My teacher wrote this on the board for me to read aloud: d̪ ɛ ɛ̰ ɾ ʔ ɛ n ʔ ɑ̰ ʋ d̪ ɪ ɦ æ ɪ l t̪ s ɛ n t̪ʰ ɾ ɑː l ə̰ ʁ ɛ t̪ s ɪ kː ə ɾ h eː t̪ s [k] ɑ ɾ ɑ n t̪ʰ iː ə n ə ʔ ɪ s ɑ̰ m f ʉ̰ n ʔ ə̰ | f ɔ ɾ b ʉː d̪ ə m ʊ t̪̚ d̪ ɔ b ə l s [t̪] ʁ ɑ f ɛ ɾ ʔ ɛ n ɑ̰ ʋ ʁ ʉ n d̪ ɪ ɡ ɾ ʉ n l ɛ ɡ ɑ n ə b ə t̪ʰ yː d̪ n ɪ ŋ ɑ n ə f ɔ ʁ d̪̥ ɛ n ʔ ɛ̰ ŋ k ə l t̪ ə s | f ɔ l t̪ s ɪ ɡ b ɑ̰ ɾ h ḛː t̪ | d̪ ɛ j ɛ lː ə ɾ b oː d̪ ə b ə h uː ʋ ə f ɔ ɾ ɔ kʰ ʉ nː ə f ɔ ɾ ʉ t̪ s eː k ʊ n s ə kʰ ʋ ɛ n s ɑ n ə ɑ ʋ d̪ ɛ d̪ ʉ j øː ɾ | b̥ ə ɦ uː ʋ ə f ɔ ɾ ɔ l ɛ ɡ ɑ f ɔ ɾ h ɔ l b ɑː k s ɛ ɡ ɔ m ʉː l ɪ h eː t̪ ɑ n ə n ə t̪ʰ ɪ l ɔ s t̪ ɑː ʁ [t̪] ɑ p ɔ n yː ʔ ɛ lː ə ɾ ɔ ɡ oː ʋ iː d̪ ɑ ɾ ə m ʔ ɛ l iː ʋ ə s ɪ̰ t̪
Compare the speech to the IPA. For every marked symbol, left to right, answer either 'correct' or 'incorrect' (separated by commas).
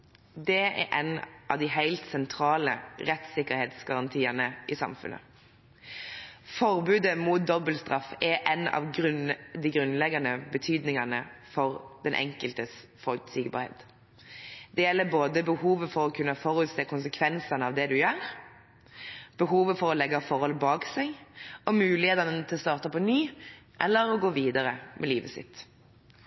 incorrect, correct, correct